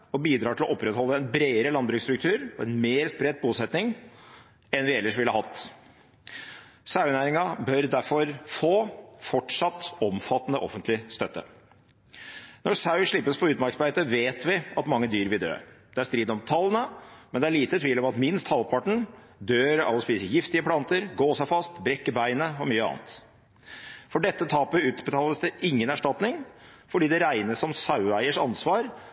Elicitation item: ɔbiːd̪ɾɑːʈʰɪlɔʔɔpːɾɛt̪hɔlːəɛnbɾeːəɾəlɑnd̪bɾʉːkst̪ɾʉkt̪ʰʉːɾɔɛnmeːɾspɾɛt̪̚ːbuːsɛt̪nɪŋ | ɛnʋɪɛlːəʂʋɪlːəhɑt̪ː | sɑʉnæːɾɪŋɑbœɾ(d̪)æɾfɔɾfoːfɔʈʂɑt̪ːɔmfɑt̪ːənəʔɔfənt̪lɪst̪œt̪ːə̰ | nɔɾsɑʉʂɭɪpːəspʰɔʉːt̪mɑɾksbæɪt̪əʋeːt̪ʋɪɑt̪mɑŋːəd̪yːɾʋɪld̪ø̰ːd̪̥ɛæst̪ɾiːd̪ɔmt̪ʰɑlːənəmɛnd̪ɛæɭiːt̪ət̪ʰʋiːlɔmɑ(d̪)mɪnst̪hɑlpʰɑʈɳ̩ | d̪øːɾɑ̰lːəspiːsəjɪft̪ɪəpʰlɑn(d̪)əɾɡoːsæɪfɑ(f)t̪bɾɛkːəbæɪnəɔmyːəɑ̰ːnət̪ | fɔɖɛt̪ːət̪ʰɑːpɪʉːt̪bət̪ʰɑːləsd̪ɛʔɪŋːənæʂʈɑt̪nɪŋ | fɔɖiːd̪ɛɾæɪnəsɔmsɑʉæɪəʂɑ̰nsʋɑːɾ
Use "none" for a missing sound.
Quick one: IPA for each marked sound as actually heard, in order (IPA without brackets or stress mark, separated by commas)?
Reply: d̪, t̪, t̪, s